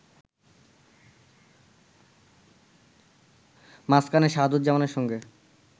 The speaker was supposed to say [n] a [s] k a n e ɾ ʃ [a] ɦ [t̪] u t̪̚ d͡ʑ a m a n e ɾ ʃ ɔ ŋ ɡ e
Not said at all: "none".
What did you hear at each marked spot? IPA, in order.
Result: m, s, a, d̪

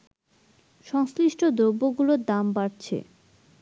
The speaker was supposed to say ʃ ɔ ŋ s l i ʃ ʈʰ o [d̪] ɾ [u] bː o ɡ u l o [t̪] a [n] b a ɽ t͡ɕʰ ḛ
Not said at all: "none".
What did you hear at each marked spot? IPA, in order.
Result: d̪, o, d̪, m

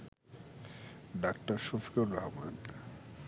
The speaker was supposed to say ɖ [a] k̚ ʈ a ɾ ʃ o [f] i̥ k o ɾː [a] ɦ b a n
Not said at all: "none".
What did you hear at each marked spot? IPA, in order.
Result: a, f, a

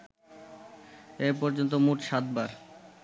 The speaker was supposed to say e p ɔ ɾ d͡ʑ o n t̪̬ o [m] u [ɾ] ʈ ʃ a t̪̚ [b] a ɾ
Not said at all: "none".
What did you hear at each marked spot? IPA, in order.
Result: m, none, b

